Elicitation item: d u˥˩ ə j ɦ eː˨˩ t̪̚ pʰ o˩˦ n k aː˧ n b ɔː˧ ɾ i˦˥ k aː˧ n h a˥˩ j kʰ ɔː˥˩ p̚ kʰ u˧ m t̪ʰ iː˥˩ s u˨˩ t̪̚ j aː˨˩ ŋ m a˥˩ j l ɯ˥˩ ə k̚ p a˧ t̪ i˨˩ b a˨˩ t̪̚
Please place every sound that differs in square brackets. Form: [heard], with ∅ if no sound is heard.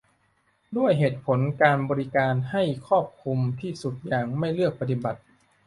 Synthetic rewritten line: d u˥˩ ə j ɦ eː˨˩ t̪̚ pʰ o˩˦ n k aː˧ n b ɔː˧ ɾ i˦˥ k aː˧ n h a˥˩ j kʰ ɔː˥˩ p̚ kʰ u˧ m t̪ʰ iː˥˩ s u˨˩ t̪̚ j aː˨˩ ŋ m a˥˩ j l ɯ˥˩ ə k̚ p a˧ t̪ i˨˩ b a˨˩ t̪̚